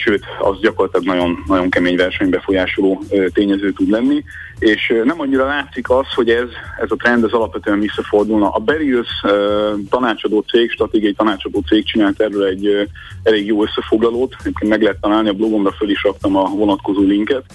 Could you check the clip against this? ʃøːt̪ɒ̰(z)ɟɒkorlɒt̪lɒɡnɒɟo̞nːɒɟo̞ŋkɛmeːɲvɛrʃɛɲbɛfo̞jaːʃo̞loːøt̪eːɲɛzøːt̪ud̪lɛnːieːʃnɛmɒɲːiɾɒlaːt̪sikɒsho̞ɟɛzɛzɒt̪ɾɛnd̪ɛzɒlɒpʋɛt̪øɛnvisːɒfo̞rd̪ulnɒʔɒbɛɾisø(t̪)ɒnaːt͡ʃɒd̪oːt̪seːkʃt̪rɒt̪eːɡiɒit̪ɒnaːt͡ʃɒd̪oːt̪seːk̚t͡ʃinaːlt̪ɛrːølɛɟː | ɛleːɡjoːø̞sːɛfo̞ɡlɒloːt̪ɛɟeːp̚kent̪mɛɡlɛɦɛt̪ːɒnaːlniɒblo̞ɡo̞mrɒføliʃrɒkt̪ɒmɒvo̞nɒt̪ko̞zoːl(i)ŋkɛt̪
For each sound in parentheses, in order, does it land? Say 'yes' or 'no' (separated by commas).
yes, yes, yes